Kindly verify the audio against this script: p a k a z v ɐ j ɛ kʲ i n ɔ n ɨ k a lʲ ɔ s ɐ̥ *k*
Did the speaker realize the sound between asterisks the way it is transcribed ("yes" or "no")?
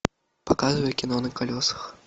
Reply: no